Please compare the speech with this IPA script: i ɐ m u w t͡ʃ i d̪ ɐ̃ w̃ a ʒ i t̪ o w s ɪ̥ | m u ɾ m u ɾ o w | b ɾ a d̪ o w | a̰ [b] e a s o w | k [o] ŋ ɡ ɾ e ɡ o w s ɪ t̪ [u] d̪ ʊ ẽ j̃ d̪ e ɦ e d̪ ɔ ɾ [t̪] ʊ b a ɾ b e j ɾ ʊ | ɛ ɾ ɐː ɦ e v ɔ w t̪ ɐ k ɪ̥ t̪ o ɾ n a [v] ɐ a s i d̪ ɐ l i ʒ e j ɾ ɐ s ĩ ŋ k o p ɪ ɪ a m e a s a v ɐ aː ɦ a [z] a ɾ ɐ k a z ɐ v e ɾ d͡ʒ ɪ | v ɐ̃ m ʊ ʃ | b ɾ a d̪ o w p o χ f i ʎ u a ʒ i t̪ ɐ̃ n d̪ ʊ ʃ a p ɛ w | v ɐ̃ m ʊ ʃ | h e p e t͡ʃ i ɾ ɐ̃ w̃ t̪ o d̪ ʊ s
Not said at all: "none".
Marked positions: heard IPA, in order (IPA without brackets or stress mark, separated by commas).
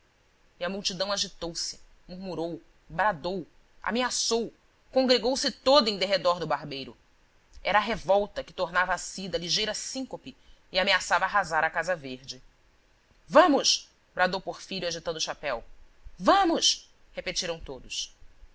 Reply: m, õ, o, d̪, v, z